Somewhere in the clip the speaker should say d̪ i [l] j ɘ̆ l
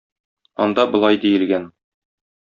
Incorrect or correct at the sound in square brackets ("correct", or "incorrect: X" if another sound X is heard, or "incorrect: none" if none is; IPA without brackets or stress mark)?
incorrect: none